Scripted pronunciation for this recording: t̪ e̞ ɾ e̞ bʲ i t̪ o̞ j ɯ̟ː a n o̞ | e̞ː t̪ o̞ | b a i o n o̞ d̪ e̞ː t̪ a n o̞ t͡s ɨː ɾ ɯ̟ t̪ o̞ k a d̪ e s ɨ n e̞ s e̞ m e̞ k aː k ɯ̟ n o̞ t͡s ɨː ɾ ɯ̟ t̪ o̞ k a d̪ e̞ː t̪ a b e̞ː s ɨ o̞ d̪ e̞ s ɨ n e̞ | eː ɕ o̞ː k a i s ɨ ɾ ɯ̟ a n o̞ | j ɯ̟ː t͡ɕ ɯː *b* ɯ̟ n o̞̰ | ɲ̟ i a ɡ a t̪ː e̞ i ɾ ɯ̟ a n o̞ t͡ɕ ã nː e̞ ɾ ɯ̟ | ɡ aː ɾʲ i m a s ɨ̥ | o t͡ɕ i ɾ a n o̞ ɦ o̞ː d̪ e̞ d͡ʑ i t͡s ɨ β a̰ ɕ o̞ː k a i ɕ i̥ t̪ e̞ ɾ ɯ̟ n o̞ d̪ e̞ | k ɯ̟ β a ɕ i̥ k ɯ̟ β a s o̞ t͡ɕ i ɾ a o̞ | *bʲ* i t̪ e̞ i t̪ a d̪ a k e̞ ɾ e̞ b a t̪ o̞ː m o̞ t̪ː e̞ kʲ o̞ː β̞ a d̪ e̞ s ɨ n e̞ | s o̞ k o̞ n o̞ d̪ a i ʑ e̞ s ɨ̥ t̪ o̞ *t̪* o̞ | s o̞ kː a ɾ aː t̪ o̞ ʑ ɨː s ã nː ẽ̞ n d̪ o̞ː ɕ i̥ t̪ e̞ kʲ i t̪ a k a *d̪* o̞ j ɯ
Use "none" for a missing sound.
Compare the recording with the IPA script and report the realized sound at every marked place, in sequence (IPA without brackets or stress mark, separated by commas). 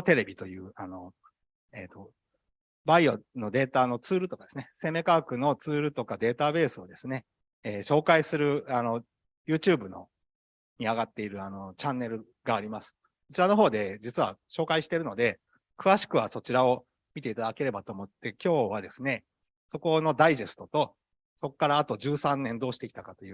b, mʲ, t̪, t̪